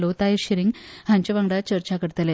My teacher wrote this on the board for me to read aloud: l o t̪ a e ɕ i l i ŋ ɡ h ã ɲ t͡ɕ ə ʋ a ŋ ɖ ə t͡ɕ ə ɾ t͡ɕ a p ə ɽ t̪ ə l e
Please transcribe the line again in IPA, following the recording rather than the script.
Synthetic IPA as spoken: l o t̪ a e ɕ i ɾ i ŋ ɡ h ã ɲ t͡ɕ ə ʋ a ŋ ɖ a t͡ɕ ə ɾ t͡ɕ a k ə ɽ t̪ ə l e